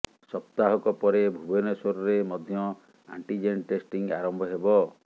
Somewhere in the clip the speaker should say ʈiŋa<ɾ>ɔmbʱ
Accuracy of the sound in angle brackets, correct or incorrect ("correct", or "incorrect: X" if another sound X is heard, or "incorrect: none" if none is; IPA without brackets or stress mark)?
correct